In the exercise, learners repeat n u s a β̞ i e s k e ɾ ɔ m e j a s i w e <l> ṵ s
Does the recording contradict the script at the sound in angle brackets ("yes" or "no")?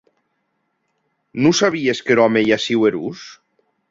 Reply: yes